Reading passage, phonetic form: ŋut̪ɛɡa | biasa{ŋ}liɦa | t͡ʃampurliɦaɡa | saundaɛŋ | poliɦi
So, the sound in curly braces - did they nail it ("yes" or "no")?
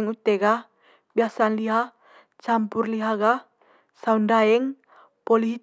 no